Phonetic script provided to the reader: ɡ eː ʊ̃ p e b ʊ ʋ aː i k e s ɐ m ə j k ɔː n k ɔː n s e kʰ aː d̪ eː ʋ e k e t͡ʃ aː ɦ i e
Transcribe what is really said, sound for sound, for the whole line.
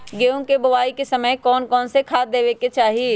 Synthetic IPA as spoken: ɡ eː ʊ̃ k e b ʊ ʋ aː i k e s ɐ m ə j k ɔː n k ɔː n s e kʰ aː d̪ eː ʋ e k e t͡ʃ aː ɦ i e